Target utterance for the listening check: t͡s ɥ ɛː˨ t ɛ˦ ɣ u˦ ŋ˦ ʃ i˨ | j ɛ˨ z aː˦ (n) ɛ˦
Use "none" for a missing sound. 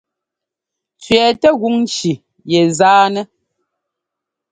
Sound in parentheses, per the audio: n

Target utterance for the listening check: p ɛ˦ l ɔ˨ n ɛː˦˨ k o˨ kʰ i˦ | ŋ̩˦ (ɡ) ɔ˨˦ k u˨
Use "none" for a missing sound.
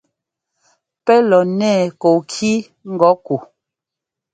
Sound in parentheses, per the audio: ɡ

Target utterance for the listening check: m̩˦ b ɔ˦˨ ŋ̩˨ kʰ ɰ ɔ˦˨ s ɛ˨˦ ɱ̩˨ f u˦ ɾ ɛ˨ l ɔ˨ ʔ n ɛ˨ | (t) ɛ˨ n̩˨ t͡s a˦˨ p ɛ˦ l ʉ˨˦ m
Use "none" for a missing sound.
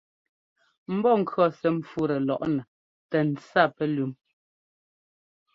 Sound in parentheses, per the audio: t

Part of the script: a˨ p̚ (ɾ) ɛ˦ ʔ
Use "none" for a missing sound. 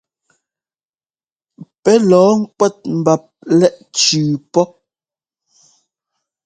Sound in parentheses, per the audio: l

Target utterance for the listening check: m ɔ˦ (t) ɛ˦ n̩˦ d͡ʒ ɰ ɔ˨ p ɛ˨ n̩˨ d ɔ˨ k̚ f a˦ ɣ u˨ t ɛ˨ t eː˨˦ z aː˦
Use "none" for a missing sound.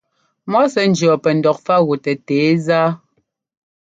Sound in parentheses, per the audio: s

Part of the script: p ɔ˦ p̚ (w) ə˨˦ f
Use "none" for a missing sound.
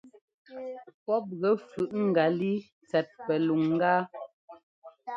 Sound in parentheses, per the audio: ɣ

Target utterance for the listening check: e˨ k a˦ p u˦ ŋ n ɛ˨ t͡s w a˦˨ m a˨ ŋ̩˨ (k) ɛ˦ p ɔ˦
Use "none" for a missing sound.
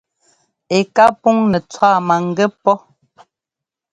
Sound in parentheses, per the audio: ɡ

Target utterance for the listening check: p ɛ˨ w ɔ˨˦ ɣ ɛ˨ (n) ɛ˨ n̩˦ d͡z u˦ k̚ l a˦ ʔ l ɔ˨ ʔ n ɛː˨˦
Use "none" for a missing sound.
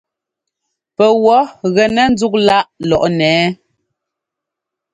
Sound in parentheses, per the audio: n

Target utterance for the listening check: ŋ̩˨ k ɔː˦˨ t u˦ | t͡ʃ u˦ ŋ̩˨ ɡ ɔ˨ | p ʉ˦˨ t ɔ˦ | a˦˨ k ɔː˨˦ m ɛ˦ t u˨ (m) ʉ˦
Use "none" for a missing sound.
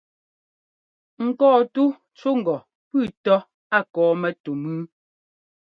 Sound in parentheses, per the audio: m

